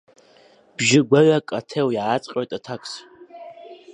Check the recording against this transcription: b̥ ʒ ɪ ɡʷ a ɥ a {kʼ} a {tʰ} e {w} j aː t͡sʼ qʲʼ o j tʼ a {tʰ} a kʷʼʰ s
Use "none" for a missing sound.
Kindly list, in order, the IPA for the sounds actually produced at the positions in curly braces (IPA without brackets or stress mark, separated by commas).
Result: kʼ, tʰ, w, tʰ